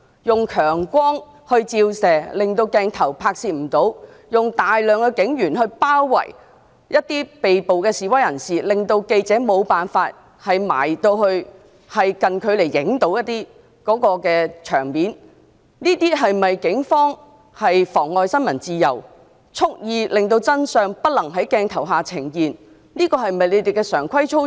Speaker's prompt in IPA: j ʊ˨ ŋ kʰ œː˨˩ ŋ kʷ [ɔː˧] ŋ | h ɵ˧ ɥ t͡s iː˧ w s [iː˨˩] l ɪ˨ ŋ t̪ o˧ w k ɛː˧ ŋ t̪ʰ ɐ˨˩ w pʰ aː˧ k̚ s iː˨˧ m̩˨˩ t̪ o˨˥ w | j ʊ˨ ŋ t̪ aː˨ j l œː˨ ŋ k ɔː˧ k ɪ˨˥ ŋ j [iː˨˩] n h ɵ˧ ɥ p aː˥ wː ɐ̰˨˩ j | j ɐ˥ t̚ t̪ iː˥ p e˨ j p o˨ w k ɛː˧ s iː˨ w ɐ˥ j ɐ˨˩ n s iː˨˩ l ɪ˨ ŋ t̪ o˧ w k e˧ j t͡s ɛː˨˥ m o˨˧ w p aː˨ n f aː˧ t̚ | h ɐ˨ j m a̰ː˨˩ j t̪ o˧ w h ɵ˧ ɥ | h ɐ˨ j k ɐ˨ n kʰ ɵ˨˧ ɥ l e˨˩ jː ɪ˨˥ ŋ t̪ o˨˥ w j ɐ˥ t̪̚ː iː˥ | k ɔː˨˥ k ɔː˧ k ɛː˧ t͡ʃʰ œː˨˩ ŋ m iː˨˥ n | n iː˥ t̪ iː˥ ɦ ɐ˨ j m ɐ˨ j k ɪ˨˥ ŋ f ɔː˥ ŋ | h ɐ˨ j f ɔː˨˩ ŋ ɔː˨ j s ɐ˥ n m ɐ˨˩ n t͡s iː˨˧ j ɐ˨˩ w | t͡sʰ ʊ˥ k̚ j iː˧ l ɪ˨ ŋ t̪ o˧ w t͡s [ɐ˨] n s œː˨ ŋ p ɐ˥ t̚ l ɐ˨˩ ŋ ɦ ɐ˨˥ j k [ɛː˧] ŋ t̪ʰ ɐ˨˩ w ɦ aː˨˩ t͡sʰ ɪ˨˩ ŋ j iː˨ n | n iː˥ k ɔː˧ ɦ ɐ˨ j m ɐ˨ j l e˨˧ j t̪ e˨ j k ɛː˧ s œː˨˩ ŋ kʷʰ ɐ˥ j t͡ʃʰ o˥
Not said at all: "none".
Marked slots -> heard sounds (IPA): ɔː˥, ɛː˨˩, yː˨˩, ɐ˥, ɛː˧

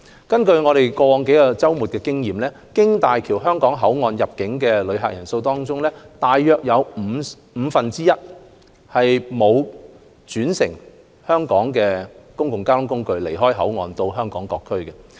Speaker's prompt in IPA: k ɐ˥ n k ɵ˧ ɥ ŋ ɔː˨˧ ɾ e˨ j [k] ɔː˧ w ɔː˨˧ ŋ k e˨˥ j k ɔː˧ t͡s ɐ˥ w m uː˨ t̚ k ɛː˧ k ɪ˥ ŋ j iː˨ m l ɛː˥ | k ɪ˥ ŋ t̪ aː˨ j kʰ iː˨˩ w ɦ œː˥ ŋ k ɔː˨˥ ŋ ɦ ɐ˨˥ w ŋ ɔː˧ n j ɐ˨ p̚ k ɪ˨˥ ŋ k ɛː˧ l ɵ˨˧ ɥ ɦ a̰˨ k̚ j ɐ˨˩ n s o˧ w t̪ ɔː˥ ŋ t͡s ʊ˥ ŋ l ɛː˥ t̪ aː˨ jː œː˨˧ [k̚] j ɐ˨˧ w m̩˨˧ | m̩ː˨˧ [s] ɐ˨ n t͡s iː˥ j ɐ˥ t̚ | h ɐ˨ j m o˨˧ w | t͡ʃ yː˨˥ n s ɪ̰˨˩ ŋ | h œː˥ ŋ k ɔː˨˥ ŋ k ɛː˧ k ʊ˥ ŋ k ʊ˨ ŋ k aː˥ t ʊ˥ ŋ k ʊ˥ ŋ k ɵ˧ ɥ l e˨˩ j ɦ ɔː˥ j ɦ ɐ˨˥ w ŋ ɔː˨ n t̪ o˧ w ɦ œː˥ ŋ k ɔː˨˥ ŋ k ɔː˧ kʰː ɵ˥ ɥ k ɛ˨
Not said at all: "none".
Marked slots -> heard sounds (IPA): k, k̚, f

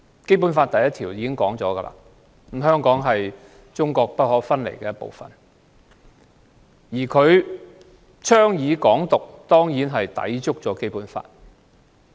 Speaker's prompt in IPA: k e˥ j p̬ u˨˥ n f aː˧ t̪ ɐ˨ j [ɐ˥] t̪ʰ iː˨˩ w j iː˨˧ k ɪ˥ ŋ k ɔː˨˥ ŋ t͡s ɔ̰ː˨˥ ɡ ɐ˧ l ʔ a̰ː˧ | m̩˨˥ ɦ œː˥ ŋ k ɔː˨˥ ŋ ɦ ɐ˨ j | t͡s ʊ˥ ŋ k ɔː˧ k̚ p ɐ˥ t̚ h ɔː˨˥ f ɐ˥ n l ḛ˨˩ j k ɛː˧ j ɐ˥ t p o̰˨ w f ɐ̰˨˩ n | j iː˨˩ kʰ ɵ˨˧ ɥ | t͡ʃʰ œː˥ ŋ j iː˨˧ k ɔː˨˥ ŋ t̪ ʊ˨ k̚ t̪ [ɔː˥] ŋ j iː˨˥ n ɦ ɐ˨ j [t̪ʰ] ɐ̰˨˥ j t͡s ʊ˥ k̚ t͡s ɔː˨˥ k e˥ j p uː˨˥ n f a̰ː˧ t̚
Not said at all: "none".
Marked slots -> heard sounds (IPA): ɐ˥, ɔː˥, t̪

